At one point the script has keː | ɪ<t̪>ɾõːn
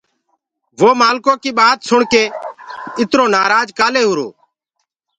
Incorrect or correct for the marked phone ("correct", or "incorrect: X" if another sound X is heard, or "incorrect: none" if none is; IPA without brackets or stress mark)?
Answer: correct